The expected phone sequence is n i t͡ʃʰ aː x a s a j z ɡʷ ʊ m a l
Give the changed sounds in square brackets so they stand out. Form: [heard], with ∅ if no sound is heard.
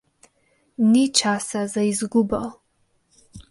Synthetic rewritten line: n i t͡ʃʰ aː [s] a [z] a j z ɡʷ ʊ [b] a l